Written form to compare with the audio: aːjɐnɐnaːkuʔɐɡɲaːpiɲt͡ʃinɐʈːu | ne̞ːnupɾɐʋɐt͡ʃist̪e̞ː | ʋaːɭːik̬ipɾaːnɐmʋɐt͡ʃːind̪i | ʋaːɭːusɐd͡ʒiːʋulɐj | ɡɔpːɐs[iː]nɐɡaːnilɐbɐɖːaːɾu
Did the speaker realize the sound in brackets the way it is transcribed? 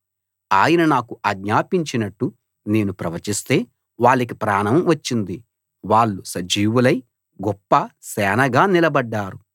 no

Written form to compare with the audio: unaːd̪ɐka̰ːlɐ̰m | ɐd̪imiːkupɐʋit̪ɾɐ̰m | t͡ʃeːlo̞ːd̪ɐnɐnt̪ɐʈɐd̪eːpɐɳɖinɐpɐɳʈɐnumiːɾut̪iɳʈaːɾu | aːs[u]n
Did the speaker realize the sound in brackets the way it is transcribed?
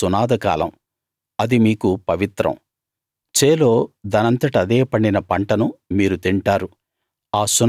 yes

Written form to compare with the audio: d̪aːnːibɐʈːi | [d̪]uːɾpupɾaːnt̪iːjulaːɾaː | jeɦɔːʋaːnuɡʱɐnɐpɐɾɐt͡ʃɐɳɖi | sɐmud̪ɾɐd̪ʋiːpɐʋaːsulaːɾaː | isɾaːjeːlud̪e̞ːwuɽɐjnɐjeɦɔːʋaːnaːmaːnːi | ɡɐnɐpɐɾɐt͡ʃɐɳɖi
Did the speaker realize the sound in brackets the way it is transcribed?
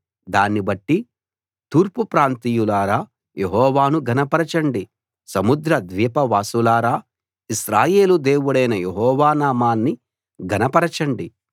no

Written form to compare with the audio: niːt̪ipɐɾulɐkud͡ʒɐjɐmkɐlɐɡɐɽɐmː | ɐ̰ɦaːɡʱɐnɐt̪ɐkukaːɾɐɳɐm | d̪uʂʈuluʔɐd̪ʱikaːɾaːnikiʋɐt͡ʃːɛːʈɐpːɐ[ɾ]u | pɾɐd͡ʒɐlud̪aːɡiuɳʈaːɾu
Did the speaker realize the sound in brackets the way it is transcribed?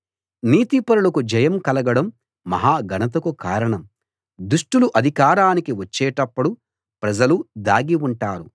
no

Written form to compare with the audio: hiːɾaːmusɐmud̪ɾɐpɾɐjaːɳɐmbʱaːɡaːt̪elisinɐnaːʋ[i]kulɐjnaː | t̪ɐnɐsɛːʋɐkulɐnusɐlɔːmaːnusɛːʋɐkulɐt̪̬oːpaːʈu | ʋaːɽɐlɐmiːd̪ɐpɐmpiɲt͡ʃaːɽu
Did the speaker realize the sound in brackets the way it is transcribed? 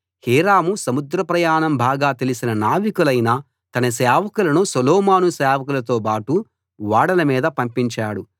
yes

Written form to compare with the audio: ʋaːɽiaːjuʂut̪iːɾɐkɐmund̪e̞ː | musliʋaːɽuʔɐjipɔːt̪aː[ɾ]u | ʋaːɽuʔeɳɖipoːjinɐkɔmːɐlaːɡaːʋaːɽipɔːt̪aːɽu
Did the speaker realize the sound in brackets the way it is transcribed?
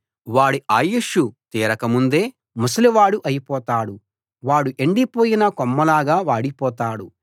no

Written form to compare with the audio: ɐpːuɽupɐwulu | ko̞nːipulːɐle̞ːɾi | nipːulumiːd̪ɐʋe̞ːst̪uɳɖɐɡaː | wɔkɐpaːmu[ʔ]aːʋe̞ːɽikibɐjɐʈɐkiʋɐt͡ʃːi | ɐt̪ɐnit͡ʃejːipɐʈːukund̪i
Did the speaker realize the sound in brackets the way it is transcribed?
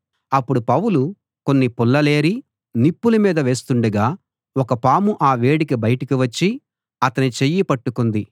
yes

